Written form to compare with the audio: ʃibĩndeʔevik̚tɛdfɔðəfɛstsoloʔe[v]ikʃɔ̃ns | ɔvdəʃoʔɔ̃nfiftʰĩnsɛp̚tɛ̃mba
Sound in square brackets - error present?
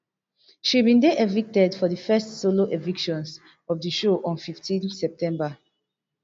no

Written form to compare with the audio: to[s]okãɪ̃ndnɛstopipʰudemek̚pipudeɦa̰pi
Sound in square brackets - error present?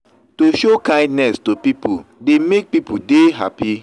yes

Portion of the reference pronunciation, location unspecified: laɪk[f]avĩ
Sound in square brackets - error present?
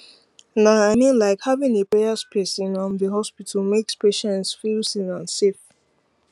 yes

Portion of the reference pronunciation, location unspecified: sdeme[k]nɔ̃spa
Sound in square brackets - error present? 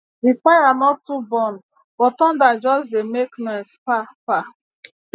no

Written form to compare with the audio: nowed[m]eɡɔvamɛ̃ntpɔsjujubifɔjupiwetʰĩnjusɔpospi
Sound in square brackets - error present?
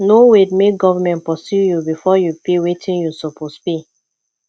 no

